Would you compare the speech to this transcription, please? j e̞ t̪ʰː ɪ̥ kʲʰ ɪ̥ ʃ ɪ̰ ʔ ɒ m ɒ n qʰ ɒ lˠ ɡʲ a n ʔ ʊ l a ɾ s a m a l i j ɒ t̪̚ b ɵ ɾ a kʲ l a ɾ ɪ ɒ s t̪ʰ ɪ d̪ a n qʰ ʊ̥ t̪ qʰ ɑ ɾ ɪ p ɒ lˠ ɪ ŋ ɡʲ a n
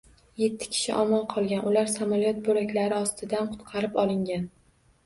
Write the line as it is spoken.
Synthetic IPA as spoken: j e̞ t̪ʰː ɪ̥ kʲʰ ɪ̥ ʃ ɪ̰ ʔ ɒ m ɒ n qʰ ɒ lˠ ɡʲ a n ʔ ʊ l a ɾ s a m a l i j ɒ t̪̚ b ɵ ɾ a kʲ l a ɾ ɪ ɒ s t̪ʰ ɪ d̪ a n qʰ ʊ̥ t̪ qʰ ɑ ɾ ɪ p ɒ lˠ ɪ ŋ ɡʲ a n